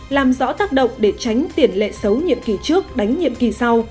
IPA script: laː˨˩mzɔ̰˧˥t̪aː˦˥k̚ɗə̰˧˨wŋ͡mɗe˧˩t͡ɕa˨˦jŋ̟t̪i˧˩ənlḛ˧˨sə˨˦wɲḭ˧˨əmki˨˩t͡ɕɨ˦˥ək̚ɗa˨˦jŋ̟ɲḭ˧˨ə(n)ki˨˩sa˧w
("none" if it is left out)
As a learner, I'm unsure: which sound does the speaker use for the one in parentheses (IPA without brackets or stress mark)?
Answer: m